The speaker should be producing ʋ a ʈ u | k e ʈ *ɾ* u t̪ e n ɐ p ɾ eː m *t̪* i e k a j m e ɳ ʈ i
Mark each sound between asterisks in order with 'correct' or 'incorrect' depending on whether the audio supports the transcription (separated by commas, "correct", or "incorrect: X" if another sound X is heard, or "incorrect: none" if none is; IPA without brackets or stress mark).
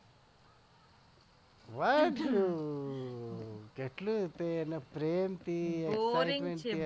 incorrect: l, correct